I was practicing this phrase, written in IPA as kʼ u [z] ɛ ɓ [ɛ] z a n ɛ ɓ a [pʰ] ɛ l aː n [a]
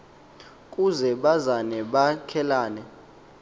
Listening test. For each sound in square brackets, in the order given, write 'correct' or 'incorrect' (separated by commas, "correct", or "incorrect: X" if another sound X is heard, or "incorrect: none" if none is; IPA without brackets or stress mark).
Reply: correct, incorrect: a, incorrect: kʰ, incorrect: ɛ